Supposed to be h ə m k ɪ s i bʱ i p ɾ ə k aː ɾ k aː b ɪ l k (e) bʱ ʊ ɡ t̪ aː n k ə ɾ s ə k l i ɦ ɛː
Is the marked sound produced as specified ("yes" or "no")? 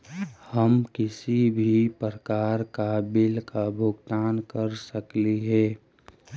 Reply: no